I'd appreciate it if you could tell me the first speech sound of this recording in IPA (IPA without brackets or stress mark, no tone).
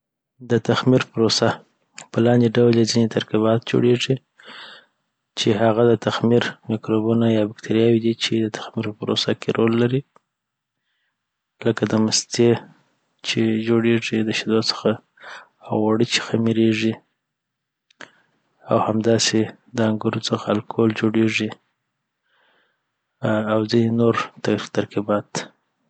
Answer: d̪